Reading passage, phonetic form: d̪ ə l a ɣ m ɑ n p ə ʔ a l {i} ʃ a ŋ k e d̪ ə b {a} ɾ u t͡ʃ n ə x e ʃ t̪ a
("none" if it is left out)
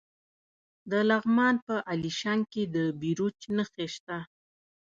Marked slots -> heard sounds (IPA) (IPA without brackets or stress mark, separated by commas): i, i